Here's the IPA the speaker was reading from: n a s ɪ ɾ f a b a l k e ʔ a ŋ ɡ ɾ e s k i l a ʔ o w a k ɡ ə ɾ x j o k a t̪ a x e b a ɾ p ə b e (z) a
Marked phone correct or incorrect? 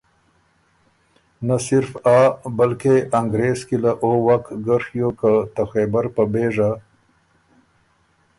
incorrect